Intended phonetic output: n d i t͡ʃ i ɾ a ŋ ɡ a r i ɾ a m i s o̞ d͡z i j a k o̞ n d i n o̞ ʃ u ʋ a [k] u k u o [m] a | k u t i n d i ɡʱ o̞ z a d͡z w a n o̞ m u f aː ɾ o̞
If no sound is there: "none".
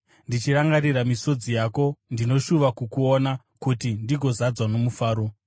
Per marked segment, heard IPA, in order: k, n

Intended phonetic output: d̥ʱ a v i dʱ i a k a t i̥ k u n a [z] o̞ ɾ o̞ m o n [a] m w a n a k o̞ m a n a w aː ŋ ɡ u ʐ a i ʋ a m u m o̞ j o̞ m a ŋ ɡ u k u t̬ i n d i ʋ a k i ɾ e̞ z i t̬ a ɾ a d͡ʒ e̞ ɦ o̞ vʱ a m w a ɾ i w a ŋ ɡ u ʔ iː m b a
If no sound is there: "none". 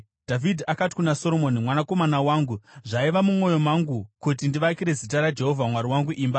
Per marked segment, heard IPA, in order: s, i

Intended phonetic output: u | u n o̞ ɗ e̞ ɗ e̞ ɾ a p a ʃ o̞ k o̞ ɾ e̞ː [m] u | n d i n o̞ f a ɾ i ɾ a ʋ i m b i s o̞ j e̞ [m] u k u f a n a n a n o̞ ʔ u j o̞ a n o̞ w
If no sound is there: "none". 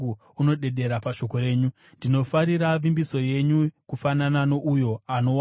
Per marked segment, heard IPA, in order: ɲ, ɲ

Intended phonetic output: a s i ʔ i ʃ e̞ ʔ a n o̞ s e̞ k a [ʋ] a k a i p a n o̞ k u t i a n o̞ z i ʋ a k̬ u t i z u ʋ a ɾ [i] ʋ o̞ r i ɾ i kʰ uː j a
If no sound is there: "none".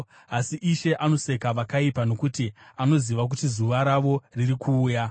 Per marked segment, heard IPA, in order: ʋ, a

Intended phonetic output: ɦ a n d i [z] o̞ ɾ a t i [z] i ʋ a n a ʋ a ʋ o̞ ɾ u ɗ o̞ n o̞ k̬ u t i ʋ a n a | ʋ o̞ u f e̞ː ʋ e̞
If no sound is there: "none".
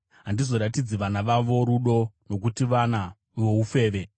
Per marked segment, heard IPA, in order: z, d͡z

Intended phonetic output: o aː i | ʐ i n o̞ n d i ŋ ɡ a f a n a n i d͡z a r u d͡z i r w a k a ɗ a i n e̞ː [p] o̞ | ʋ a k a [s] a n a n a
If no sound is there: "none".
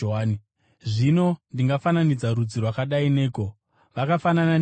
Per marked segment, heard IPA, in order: k, f

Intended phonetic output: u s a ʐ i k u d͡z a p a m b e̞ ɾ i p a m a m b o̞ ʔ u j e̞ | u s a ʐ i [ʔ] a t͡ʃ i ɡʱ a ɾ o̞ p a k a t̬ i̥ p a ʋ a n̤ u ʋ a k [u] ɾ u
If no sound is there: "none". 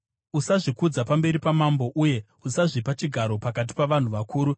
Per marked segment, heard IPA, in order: p, uː

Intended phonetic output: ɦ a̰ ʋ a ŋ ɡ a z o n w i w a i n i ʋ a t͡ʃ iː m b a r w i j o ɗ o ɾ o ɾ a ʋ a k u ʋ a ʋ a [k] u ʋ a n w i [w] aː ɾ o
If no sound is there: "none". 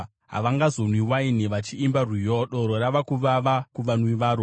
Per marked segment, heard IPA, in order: k, ʋ

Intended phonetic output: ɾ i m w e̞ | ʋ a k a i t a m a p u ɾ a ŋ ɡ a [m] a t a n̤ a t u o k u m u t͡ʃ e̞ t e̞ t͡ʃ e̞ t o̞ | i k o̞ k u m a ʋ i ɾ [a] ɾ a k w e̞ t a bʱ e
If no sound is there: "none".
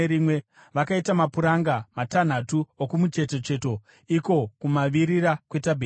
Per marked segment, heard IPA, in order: m, i

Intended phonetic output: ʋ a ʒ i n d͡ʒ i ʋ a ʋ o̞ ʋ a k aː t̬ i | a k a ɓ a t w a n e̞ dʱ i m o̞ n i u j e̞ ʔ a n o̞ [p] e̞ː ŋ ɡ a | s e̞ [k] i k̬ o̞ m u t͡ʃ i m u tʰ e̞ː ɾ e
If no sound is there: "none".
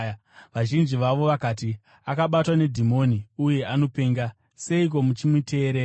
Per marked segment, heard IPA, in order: p, none

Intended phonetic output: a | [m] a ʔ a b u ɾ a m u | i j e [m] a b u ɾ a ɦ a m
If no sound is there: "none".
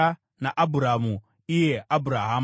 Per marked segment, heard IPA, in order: n, none

